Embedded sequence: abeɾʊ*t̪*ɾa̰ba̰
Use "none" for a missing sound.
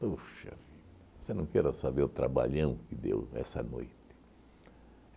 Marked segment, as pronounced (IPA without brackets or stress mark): t̪